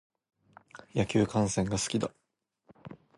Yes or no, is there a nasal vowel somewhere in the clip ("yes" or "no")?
yes